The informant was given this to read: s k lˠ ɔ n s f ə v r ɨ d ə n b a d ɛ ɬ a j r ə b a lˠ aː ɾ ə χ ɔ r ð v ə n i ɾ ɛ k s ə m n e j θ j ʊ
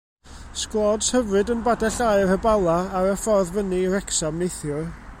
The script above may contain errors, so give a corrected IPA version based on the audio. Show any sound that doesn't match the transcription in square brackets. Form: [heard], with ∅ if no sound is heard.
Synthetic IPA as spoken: s k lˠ ɔ [d] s [h] ə v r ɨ d ə n b a d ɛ ɬ a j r ə b a lˠ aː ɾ ə [f] ɔ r ð v ə n i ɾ ɛ k s [a] m n e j θ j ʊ